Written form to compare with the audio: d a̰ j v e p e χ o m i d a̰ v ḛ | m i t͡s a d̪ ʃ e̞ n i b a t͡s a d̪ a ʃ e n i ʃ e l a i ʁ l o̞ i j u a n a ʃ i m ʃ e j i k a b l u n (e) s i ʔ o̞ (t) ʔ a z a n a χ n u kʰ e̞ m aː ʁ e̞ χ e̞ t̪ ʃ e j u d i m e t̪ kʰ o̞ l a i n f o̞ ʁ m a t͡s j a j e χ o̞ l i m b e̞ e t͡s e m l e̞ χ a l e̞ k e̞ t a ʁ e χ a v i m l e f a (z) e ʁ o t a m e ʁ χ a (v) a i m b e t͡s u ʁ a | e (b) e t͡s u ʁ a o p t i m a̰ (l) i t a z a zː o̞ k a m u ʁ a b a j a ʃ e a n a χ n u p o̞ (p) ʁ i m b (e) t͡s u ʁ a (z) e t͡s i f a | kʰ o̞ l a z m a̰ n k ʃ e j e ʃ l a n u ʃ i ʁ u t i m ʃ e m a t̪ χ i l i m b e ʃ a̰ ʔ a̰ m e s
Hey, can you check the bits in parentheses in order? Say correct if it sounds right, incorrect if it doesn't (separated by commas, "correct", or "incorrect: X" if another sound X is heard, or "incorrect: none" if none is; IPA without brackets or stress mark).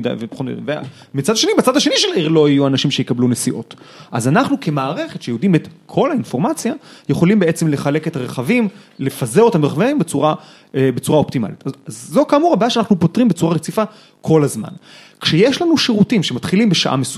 correct, correct, correct, correct, correct, correct, incorrect: t, correct, incorrect: ʁ